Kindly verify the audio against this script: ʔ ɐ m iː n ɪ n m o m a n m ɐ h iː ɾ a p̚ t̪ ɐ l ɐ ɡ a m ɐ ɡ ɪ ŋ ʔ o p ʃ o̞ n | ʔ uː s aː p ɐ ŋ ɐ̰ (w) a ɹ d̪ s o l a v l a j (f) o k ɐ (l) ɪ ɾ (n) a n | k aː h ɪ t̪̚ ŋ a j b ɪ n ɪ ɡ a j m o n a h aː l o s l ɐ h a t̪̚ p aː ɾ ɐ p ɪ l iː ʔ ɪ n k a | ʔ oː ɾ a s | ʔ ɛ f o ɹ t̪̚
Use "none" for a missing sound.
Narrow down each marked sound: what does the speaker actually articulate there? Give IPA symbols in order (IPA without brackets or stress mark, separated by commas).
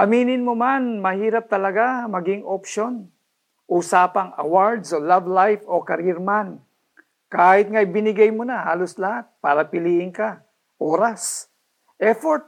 w, f, ɾ, m